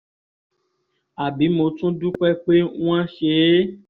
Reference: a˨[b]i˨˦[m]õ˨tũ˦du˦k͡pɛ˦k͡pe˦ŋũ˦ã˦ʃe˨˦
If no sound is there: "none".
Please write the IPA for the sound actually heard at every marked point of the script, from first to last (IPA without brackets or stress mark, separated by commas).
b, m